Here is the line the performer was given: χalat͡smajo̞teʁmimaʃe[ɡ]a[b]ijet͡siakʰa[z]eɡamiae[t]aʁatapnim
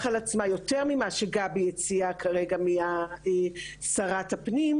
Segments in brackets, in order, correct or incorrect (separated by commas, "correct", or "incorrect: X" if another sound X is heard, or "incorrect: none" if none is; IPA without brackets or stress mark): correct, correct, incorrect: ʁ, incorrect: s